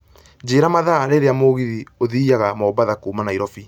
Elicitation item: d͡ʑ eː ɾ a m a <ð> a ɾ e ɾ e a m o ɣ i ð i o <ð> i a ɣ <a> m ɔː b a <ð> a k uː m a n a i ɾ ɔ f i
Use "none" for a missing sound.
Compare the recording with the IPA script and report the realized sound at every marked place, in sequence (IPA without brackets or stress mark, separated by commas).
ð, ð, a, ð